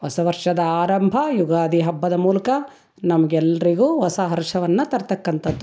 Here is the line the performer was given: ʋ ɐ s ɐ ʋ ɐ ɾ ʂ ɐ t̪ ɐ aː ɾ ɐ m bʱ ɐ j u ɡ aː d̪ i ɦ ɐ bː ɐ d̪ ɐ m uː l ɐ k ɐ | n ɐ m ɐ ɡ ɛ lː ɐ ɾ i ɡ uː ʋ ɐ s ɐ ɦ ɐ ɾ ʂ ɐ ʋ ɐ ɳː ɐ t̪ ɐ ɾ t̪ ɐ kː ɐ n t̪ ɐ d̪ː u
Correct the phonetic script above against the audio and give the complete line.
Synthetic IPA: ʋ ɐ s ɐ ʋ ɐ ɾ ʂ ɐ d̪ ɐ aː ɾ ɐ m bʱ ɐ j u ɡ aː d̪ i ɦ ɐ bː ɐ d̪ ɐ m uː l ɐ k ɐ | n ɐ m ɐ ɡ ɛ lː ɐ ɾ i ɡ uː ʋ ɐ s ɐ ɦ ɐ ɾ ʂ ɐ ʋ ɐ nː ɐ t̪ ɐ ɾ t̪ ɐ kː ɐ n t̪ ɐ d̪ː u